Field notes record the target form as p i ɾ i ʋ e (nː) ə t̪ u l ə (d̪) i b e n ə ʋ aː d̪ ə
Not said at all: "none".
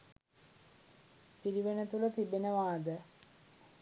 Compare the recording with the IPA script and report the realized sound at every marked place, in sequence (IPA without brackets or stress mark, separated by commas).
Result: n, t̪